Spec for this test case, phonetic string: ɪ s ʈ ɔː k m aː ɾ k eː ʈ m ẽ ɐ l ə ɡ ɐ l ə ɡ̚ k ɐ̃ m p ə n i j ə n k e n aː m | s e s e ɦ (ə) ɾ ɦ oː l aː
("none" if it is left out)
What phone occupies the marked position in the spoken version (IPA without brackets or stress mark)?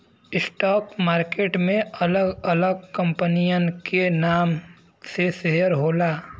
ə